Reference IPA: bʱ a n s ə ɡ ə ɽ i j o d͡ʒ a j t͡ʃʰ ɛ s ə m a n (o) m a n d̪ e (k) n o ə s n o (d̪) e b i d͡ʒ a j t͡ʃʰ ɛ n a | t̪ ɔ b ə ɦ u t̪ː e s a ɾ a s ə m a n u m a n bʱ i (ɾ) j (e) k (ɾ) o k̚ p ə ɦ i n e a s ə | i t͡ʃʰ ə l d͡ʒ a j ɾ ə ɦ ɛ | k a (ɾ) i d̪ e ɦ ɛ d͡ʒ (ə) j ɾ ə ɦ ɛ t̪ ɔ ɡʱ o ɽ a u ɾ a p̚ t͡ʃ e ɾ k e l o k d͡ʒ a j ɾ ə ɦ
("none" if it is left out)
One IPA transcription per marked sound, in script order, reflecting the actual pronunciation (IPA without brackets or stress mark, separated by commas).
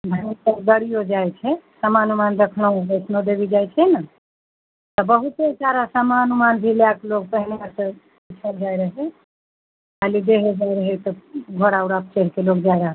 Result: u, kʰ, d̪, l, a, l, l, a